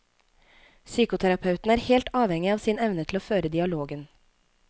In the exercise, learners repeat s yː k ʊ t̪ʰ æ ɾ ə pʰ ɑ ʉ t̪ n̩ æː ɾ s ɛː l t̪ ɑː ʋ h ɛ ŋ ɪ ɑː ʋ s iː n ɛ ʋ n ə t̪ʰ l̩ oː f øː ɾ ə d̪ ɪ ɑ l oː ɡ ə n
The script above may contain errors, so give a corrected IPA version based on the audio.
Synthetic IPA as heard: s yː k ʊ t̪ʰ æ ɾ ɑ pʰ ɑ ʉ t̪ n̩ æː ɾ h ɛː l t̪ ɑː ʋ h ɛ ŋ ɪ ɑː ʋ s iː n ɛ ʋ n ə t̪ʰ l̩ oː f øː ɾ ə d̪ ɪ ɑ l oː ɡ ə n